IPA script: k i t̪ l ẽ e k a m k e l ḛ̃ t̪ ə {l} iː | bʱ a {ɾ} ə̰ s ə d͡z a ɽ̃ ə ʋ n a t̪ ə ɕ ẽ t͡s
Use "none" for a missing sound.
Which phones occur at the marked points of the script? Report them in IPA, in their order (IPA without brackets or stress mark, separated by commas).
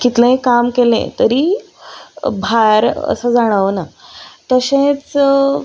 ɾ, ɾ